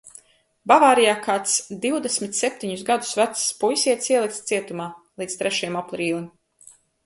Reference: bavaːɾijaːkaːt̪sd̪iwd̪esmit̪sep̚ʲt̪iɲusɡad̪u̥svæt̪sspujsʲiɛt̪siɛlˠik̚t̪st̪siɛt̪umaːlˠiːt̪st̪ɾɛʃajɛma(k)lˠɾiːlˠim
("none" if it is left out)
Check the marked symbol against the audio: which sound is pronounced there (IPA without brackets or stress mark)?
p